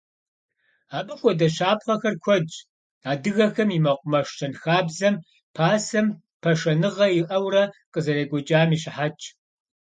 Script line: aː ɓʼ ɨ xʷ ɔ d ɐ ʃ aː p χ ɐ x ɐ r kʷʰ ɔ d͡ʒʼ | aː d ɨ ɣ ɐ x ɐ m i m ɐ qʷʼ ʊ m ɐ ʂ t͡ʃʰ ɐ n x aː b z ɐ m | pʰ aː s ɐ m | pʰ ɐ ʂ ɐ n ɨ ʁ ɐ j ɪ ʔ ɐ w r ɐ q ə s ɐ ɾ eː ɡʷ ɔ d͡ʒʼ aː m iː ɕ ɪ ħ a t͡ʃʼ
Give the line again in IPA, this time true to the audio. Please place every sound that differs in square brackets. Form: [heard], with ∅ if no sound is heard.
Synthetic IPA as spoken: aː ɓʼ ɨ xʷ ɔ d ɐ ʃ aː p χ ɐ x ɐ r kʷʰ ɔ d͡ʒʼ | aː d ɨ ɣ ɐ x ɐ m i m ɐ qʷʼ ʊ m ɐ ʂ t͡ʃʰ ɐ n x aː b z ɐ m | pʰ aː s ɐ m | pʰ ɐ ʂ ɐ n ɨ ʁ ɐ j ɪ ʔ ɐ w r ɐ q ə [z] ɐ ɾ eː ɡʷ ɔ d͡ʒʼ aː m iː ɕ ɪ ħ a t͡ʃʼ

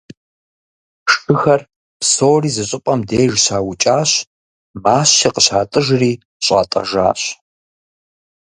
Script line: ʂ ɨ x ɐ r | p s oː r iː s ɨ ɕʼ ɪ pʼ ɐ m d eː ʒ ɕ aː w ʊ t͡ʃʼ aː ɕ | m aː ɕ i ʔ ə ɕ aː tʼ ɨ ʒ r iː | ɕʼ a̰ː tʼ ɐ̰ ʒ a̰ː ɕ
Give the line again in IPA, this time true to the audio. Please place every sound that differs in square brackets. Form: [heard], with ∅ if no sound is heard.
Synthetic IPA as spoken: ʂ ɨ x ɐ r | p s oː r iː [z] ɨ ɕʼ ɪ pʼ ɐ m d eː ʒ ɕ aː w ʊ t͡ʃʼ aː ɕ | m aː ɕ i [q] ə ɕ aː tʼ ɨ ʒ r iː | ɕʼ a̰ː tʼ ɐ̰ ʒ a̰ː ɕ

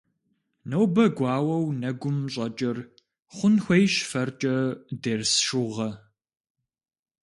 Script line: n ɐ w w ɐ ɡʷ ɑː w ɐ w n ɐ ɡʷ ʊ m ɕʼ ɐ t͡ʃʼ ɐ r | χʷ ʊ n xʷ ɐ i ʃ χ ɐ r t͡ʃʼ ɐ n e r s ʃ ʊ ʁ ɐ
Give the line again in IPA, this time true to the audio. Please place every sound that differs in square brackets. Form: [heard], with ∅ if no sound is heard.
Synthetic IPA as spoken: n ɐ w [b] ɐ ɡʷ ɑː w ɐ w n ɐ ɡʷ ʊ m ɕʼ ɐ t͡ʃʼ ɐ r | χʷ ʊ n xʷ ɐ [j] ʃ [f] ɐ r t͡ʃʼ ɐ [d] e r s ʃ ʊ ʁ ɐ

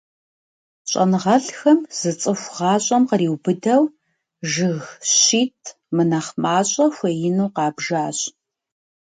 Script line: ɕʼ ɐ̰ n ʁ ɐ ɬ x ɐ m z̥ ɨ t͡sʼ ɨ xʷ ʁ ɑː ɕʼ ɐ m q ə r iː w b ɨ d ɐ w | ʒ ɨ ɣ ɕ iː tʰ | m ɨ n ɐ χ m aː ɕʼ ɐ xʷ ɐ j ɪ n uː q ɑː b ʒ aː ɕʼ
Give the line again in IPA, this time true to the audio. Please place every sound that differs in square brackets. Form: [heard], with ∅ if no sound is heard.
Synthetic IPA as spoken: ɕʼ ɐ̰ n ʁ ɐ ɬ x ɐ m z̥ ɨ t͡sʼ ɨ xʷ ʁ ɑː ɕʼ ɐ m q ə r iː w b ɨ d ɐ w | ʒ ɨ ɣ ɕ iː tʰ | m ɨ n ɐ χ m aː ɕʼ ɐ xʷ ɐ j ɪ n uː q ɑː b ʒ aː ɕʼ

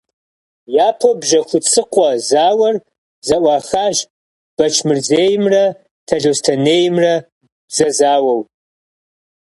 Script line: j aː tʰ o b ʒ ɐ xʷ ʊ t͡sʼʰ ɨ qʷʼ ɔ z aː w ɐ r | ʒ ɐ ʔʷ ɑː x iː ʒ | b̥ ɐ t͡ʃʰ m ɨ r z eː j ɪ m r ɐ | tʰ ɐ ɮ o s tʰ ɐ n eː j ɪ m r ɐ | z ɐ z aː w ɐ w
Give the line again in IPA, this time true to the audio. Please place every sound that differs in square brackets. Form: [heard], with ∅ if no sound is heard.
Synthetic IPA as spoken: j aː [pʰ] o b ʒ ɐ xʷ ʊ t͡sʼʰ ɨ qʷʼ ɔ z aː w ɐ r | [z] ɐ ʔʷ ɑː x [aː] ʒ | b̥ ɐ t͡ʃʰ m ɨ r z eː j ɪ m r ɐ | tʰ ɐ ɮ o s tʰ ɐ n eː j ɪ m r ɐ | z ɐ z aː w ɐ w

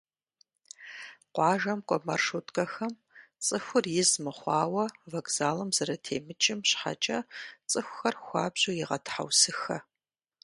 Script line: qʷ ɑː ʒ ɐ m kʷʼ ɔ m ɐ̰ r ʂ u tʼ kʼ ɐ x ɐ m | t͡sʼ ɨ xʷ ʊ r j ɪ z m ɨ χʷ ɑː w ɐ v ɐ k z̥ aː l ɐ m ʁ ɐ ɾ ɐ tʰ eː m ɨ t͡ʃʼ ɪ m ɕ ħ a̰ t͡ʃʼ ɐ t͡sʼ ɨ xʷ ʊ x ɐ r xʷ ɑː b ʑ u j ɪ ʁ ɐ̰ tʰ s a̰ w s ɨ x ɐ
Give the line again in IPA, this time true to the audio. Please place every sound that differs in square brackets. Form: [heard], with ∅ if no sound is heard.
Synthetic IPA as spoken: qʷ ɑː ʒ ɐ m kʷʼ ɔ m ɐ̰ r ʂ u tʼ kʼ ɐ x ɐ m | t͡sʼ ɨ xʷ ʊ r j ɪ z m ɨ χʷ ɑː w ɐ v ɐ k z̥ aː l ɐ m [z] ɐ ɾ ɐ tʰ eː m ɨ t͡ʃʼ ɪ m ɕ ħ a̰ t͡ʃʼ ɐ t͡sʼ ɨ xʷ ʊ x ɐ r xʷ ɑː b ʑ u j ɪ ʁ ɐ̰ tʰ [ħ] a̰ w s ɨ x ɐ

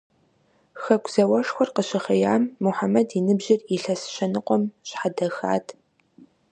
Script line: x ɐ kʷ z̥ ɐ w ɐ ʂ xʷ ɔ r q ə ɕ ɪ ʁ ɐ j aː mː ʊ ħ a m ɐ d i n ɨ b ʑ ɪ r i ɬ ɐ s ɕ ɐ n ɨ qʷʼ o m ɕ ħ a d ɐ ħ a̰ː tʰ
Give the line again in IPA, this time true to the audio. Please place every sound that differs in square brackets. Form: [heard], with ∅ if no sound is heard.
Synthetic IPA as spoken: x ɐ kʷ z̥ ɐ w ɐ ʂ xʷ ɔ r q ə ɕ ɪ [χ] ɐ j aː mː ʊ ħ a m ɐ d i n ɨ b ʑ ɪ r i ɬ ɐ s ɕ ɐ n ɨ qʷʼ [ɔ] m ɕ ħ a d ɐ [x] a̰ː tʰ

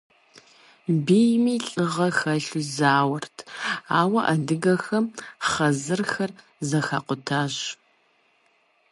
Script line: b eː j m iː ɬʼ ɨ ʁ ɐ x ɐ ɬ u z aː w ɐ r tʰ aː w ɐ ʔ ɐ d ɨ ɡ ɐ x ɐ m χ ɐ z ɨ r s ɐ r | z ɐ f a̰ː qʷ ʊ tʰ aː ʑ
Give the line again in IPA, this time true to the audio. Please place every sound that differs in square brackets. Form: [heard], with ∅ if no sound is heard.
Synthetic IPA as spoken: b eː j m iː ɬʼ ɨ ʁ ɐ x ɐ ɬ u z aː w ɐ r tʰ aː w ɐ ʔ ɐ d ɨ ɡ ɐ x ɐ m χ ɐ z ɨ r [x] ɐ r | z ɐ [x] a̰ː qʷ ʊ tʰ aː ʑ

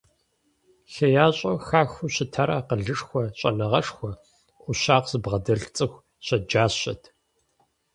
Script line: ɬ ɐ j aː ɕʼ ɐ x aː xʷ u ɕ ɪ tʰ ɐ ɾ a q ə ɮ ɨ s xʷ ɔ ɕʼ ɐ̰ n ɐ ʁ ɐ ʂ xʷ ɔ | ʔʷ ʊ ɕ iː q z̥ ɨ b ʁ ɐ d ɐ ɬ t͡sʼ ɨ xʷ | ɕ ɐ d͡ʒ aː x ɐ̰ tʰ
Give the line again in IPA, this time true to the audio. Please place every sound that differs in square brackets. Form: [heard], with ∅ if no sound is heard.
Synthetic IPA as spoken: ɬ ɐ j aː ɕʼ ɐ x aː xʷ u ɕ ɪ tʰ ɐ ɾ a q ə ɮ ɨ [ʂ] xʷ ɔ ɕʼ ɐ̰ n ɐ ʁ ɐ ʂ xʷ ɔ | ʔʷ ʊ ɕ [aː] q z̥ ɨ b ʁ ɐ d ɐ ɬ t͡sʼ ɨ xʷ | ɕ ɐ d͡ʒ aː [ɕ] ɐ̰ tʰ

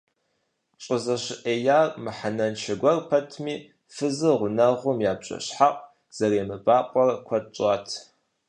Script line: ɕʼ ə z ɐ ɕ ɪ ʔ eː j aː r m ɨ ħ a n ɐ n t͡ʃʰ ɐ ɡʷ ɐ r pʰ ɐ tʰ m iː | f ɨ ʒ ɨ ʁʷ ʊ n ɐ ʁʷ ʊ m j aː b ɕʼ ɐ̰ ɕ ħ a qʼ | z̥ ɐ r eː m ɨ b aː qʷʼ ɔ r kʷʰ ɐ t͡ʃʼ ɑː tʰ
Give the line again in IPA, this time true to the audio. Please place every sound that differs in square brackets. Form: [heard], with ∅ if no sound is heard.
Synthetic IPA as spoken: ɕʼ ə z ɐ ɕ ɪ ʔ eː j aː r m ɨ ħ a n ɐ n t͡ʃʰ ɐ ɡʷ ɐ r pʰ ɐ tʰ m iː | f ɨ [z] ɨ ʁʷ ʊ n ɐ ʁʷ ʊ m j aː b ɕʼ ɐ̰ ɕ ħ a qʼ | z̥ ɐ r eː m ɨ b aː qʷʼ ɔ r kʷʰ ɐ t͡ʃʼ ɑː tʰ

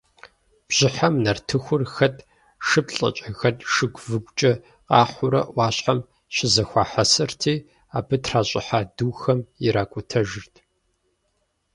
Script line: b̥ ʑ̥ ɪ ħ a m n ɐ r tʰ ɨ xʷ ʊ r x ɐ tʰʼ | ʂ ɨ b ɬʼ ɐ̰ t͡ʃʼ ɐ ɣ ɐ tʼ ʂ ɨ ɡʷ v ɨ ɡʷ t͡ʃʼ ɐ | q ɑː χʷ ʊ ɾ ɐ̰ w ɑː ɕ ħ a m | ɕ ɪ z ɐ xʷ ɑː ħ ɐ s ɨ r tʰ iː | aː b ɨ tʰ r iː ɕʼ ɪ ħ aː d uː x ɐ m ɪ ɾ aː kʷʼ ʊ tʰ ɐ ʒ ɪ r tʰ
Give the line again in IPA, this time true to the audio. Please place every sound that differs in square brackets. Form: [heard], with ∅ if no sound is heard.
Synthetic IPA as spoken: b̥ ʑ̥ ɪ ħ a m n ɐ r tʰ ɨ xʷ ʊ r x ɐ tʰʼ | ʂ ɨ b ɬʼ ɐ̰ t͡ʃʼ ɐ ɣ ɐ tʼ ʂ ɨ ɡʷ v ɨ ɡʷ t͡ʃʼ ɐ | q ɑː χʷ ʊ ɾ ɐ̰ w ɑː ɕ ħ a m | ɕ ɪ z ɐ xʷ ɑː ħ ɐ s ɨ r tʰ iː | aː b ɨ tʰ r [aː] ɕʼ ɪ ħ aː d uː x ɐ m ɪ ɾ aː kʷʼ ʊ tʰ ɐ ʒ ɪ r tʰ

